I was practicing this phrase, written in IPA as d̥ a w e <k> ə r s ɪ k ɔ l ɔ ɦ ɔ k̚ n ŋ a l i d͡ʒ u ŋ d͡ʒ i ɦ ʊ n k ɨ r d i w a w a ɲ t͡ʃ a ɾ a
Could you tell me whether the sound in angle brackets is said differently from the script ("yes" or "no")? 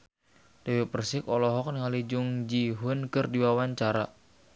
yes